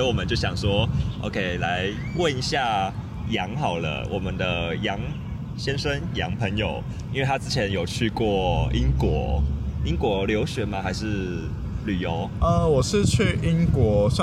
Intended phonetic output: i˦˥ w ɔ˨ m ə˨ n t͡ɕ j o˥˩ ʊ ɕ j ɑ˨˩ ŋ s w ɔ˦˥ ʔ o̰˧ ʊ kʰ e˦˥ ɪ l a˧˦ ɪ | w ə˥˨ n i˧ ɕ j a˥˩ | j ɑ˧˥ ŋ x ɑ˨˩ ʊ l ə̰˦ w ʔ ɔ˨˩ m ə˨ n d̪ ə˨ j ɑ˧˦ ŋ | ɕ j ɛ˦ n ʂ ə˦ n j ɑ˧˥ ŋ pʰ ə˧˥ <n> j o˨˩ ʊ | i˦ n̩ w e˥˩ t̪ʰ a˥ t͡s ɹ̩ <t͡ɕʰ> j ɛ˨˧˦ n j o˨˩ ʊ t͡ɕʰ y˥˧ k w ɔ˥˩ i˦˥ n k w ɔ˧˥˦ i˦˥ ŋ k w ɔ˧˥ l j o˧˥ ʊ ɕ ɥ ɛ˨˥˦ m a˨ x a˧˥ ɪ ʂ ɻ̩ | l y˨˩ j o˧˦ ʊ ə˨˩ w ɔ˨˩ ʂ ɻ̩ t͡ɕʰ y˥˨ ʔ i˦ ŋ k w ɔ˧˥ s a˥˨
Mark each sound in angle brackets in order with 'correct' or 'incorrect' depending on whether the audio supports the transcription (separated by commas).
incorrect, correct